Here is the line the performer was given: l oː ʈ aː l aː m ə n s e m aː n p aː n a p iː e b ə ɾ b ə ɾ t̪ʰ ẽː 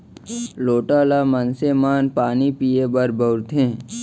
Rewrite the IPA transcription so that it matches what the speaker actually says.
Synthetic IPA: l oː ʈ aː l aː m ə n s e m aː n p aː n i p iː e b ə ɾ b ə ɾ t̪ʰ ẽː